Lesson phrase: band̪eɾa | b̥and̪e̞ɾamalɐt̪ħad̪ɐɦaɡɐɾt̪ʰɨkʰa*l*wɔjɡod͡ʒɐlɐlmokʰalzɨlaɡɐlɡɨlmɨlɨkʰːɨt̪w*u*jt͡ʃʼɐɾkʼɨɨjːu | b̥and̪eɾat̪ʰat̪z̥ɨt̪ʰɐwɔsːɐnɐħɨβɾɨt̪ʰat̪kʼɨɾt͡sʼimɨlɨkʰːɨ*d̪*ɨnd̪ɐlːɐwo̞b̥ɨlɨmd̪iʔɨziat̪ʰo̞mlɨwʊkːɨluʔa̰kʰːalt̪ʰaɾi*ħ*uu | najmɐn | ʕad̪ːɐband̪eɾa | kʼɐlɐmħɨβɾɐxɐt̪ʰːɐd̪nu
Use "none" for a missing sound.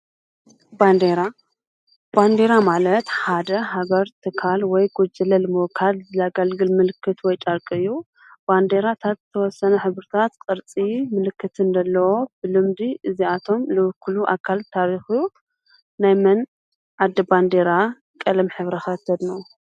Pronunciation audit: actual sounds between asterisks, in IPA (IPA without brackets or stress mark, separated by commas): l, ɔ, t̪, x